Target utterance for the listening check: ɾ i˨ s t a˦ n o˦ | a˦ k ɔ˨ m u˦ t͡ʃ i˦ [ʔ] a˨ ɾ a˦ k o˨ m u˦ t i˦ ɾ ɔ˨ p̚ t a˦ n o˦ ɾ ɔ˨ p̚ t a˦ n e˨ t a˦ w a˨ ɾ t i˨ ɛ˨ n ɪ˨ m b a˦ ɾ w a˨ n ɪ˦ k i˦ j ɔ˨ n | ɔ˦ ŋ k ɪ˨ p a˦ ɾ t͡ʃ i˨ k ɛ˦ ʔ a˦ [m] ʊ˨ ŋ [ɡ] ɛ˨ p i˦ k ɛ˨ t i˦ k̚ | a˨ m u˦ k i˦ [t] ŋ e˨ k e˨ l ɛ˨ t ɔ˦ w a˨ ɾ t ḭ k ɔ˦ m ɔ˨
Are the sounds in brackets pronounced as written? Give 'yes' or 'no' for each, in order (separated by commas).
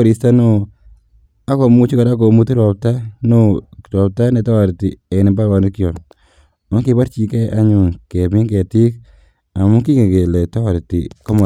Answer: no, no, no, no